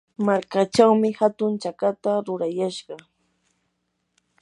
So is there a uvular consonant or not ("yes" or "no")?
yes